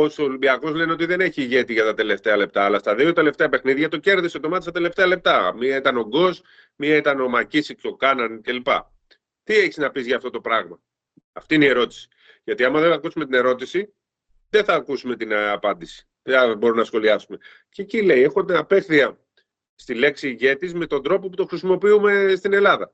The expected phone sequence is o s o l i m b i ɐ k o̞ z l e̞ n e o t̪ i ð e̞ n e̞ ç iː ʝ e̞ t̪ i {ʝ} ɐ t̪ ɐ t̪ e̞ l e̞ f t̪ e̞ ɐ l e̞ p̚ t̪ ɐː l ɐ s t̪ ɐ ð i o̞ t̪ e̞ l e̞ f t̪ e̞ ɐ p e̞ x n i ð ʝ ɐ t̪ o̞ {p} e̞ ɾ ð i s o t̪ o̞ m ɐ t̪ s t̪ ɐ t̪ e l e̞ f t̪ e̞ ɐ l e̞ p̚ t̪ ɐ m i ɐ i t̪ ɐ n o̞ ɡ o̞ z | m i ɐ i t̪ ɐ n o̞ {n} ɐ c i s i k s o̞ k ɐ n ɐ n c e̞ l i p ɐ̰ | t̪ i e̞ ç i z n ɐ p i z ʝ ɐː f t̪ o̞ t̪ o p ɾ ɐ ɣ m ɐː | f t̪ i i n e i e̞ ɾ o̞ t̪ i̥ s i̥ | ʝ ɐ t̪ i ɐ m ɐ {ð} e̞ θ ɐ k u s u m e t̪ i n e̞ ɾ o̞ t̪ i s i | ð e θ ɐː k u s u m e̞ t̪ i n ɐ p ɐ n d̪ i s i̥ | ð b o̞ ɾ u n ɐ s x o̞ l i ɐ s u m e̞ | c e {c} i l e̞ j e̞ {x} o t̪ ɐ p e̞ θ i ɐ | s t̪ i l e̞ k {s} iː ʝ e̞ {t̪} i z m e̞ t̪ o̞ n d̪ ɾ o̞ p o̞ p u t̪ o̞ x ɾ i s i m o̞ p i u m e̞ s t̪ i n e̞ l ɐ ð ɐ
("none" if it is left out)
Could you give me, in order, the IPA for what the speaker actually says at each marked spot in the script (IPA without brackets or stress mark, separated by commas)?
ʝ, c, m, ð, c, x, s, t̪